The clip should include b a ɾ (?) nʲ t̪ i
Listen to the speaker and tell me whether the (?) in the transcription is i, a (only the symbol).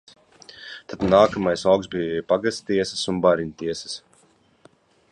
i